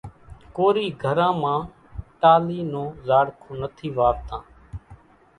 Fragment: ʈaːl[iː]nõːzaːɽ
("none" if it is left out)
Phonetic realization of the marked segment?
iː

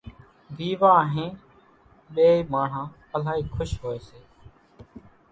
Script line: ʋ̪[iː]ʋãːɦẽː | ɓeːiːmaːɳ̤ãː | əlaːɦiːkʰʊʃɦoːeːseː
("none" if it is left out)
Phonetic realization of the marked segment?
iː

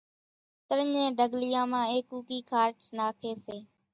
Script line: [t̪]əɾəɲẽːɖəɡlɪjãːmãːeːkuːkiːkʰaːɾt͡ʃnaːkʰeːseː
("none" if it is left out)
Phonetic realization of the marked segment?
t̪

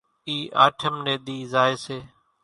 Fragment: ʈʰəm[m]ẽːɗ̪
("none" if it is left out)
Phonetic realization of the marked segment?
n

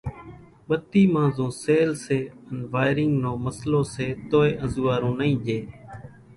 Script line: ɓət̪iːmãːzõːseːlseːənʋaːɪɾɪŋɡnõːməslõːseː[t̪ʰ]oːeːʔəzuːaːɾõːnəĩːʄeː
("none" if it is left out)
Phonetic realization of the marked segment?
t̪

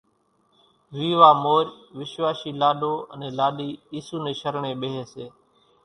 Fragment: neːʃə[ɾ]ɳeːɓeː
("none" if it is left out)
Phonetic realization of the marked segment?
ɾ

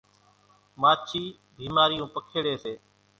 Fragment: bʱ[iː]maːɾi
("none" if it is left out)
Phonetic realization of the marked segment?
iː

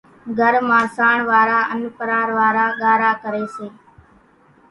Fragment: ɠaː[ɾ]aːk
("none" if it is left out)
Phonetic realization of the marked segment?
ɾ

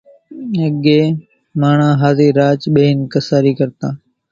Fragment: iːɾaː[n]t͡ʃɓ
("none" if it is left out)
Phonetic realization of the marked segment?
none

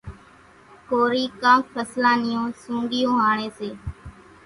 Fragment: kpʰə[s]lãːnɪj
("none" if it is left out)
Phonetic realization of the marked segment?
s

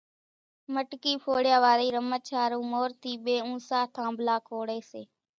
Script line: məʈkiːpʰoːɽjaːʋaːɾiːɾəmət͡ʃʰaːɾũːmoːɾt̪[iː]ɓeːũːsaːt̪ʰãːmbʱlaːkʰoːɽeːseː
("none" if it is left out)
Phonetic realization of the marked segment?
iː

